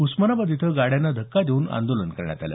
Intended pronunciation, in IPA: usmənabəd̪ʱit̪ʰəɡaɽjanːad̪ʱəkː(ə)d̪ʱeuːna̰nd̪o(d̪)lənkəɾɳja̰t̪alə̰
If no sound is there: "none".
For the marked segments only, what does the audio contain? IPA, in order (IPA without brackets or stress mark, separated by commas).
a, none